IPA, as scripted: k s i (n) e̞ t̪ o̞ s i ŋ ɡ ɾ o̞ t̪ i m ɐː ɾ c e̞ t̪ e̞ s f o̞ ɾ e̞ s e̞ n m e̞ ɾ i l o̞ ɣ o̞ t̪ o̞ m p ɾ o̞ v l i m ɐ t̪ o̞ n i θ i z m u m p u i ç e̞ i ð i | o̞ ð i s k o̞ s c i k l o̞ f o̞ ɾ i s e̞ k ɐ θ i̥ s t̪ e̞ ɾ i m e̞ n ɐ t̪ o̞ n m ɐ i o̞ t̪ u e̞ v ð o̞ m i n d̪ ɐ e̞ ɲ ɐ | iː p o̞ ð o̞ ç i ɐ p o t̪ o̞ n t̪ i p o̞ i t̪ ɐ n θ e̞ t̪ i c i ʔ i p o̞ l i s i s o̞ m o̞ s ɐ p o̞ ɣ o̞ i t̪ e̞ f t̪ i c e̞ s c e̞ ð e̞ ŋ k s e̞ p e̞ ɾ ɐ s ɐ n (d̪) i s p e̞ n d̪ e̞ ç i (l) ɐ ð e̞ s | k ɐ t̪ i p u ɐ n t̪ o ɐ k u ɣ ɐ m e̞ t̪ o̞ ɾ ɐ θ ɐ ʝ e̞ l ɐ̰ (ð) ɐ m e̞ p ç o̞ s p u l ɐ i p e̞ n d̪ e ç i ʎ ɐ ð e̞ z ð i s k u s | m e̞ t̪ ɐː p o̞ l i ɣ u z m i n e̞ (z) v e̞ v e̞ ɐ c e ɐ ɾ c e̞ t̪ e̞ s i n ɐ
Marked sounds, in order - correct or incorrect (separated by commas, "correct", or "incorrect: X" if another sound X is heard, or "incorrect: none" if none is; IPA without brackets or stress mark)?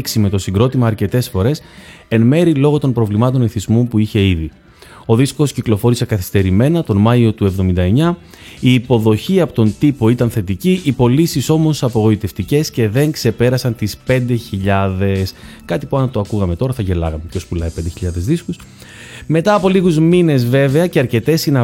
incorrect: m, incorrect: t̪, incorrect: ʎ, incorrect: ɣ, correct